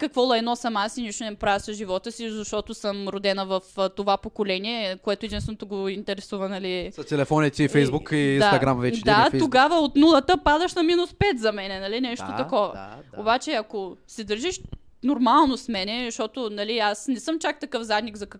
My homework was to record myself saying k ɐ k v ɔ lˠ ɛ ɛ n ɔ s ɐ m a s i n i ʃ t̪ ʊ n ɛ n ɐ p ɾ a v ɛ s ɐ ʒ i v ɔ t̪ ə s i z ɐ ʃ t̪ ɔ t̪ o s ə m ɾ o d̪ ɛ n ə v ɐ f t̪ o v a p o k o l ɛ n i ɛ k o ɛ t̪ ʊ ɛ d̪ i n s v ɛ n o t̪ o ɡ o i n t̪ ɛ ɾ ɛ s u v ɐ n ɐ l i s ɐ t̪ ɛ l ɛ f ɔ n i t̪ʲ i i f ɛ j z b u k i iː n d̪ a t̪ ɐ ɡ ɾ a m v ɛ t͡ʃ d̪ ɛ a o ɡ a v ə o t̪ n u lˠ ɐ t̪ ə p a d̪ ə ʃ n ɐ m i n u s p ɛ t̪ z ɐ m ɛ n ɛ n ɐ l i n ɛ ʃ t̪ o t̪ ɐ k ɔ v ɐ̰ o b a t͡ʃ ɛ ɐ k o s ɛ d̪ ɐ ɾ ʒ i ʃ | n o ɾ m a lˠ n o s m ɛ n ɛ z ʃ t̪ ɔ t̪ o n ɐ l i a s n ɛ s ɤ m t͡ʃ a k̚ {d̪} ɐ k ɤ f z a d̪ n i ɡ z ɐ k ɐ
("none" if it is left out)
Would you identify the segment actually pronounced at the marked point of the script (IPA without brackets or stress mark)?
t̪